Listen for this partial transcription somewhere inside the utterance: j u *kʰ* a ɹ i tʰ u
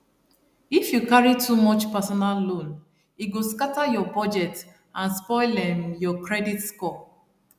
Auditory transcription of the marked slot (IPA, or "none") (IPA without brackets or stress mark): k